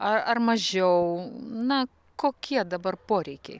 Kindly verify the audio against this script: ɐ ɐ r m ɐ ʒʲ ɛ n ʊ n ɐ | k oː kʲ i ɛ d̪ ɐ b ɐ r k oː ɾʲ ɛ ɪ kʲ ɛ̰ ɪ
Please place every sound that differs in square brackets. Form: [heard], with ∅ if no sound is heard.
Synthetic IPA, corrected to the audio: ɐ ɐ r m ɐ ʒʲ ɛ [∅] ʊ n ɐ | k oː kʲ i ɛ d̪ ɐ b ɐ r [p] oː ɾʲ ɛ ɪ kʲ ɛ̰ ɪ